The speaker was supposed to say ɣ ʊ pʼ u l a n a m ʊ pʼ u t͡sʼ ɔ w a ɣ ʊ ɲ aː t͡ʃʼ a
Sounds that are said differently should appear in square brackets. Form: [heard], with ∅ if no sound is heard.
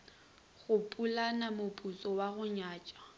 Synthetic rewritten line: ɣ ʊ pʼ u l a n a m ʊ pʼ u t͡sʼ ɔ w a ɣ ʊ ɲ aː t͡ʃʼ a